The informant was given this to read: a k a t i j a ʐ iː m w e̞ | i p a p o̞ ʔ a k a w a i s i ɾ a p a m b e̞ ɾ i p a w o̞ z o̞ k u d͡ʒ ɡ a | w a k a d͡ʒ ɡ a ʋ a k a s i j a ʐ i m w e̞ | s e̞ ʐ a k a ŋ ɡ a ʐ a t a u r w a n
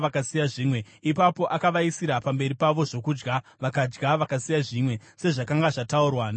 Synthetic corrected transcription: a k a s i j a ʐ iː m w e̞ | i p a p o̞ ʔ a k a ʋ a i s i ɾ a p a m b e̞ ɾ i p a ʋ o̞ ʐ o̞ k u d͡ʒ ɡ a | ʋ a k a d͡ʒ ɡ a ʋ a k a s i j a ʐ i m w e̞ | s e̞ ʐ a k a ŋ ɡ a ʐ a t a u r w a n